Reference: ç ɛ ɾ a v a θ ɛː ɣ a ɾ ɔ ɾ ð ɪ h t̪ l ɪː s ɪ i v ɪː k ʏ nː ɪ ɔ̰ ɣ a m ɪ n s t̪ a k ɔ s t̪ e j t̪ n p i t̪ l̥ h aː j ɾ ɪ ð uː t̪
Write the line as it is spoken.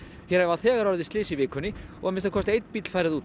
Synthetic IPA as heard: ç ɛ ɾ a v a θ ɛː ɣ a ɾ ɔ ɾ ð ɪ s t̪ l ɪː s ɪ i v ɪː k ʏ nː ɪ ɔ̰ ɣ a m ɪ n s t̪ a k ɔ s t̪ e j t̪ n p i t̪ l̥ f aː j ɾ ɪ ð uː t̪